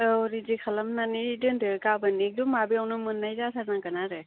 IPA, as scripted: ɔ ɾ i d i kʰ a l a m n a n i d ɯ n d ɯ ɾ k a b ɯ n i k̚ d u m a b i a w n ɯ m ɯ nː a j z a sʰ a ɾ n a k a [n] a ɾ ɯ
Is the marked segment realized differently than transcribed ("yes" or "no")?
no